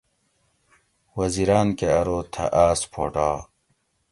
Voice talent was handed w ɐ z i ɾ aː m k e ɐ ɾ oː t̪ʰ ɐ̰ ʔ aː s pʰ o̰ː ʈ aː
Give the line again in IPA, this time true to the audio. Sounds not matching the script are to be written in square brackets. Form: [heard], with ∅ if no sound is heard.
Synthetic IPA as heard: w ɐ z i ɾ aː [n] k e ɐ ɾ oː t̪ʰ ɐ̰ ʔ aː s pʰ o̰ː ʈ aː